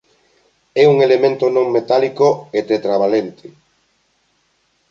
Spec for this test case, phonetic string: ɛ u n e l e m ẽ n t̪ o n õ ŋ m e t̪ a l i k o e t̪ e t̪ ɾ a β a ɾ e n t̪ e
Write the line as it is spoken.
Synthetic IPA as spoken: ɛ u ŋ e l e m ẽ n t̪ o n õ ŋ m e t̪ a l i k o e t̪ e t̪ ɾ a β a l e n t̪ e